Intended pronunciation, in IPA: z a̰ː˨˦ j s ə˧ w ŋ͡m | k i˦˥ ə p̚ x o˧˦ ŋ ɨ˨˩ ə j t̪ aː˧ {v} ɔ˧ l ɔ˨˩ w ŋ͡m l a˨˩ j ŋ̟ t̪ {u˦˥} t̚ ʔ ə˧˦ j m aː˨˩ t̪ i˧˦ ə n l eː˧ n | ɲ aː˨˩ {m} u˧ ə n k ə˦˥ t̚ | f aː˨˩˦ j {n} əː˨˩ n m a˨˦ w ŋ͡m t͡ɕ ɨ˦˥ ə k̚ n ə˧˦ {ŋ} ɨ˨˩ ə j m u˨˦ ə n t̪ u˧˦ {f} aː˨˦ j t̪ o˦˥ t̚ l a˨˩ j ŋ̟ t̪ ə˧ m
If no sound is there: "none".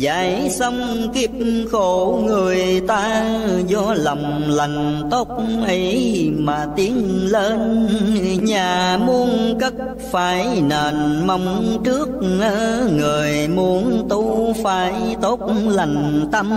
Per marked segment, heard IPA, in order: z, o˦˥, m, n, ŋ, f

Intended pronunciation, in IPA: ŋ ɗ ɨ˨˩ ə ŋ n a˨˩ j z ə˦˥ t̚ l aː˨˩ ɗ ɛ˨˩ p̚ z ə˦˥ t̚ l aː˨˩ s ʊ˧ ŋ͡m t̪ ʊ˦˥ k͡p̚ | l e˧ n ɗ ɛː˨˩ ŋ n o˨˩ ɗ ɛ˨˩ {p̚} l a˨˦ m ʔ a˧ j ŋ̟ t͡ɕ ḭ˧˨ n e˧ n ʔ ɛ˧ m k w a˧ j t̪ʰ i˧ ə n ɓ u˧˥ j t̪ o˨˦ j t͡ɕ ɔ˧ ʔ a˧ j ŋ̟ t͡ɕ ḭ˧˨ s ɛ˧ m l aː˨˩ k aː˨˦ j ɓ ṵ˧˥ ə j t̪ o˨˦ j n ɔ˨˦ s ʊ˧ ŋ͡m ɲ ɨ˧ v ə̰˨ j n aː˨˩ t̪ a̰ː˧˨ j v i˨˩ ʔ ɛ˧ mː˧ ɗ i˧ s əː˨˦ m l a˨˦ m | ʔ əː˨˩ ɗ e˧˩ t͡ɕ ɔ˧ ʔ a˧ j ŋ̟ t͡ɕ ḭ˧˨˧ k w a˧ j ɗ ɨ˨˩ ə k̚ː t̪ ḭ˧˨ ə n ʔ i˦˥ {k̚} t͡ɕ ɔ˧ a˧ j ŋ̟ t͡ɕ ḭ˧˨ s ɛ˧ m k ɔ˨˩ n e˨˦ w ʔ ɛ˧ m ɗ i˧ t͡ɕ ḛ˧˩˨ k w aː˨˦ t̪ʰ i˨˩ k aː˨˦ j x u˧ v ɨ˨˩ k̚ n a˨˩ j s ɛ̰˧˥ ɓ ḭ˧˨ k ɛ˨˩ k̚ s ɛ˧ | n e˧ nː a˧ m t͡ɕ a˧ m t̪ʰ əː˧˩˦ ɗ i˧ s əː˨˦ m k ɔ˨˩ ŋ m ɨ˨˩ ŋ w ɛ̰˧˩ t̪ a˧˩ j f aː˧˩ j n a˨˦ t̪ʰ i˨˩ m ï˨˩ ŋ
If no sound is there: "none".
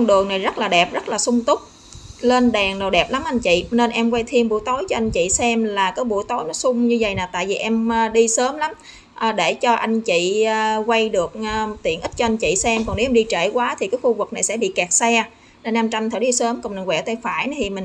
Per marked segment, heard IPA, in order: p̚, t̚

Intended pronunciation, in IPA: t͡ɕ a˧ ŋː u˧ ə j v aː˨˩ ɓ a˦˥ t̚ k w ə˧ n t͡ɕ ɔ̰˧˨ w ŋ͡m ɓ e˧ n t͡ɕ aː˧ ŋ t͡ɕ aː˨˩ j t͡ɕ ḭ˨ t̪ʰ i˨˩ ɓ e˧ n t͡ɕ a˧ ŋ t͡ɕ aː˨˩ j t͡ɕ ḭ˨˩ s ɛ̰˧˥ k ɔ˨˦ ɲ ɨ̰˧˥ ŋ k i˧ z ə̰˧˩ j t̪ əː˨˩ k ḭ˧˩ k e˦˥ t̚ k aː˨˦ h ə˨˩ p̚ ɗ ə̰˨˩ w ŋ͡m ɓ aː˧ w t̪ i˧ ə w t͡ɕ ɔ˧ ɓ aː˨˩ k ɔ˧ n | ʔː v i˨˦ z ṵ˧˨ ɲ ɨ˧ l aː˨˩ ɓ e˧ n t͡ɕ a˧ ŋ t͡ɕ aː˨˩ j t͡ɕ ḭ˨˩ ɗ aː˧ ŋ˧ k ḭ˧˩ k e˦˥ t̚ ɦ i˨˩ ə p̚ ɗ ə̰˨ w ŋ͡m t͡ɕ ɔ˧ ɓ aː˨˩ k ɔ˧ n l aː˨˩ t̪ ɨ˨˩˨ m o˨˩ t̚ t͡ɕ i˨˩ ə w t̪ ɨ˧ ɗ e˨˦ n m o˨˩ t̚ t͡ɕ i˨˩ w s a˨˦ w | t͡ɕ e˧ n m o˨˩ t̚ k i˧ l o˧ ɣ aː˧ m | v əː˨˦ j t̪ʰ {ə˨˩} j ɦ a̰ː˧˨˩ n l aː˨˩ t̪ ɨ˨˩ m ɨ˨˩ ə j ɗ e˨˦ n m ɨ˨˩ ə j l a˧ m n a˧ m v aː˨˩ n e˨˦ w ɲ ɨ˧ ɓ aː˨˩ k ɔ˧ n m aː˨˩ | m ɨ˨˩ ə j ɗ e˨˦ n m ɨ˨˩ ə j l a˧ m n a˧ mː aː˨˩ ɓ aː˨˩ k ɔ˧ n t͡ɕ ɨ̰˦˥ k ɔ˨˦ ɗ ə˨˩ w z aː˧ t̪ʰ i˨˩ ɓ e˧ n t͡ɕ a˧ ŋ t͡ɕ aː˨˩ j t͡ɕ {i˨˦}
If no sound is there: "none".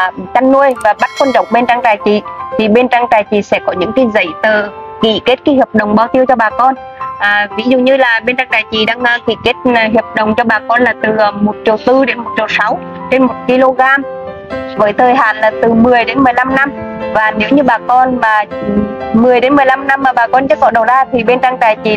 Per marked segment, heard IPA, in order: əː˨˩, i˨˩

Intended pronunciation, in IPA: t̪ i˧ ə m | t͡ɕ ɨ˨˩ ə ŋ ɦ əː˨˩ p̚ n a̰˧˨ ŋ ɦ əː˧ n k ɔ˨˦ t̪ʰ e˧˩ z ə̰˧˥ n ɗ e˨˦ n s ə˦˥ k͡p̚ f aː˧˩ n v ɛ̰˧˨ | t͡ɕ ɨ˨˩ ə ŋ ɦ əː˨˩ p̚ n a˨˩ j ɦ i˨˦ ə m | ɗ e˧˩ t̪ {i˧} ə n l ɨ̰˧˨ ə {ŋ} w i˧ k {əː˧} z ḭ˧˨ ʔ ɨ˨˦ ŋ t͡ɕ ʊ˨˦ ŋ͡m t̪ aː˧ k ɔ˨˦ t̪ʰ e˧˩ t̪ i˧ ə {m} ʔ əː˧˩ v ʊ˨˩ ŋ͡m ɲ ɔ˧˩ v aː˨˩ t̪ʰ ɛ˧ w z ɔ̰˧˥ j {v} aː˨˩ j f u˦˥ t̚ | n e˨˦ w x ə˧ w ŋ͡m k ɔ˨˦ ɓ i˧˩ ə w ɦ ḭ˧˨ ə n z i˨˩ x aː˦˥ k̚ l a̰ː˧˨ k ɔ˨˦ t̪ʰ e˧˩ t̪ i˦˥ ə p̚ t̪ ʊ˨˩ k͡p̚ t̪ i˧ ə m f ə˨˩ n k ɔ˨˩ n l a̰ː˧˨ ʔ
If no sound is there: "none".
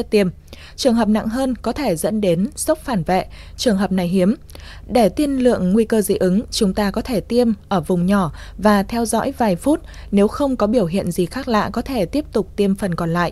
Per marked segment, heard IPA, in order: i˧, ŋː, əː˧, m, v

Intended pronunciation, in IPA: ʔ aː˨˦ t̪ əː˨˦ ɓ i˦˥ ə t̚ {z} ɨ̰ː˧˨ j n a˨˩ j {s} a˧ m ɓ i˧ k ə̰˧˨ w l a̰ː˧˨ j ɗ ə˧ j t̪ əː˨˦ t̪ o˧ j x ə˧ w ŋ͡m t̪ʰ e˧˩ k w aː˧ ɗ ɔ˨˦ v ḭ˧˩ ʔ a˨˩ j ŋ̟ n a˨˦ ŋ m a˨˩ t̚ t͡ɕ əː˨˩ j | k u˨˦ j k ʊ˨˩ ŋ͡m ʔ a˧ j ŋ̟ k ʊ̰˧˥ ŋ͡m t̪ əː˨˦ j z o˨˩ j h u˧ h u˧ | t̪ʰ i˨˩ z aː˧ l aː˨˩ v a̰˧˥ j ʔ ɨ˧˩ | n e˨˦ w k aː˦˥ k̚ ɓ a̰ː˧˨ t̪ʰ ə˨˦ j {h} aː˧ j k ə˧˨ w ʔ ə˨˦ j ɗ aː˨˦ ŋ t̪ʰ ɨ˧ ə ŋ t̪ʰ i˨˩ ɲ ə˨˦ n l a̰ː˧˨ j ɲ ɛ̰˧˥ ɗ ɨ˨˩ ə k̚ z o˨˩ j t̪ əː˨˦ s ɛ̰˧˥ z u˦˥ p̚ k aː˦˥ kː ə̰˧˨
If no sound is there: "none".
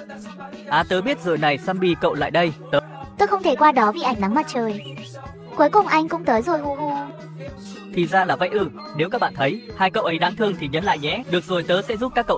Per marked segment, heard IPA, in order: z, s, h

